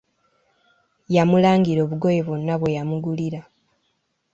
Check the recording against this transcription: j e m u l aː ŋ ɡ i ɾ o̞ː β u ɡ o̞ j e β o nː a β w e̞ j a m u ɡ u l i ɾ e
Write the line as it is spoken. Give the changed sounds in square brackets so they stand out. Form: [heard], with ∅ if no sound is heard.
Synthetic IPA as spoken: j [a] m u l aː ŋ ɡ i ɾ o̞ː β u ɡ o̞ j e β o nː a β w e̞ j a m u ɡ u l i ɾ [a]